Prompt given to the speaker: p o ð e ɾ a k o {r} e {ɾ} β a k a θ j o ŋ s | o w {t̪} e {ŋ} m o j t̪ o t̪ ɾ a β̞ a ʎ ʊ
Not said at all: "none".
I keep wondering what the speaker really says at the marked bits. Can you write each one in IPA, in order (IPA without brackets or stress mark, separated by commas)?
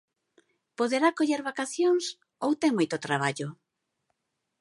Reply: ʎ, ɾ, t̪, ŋ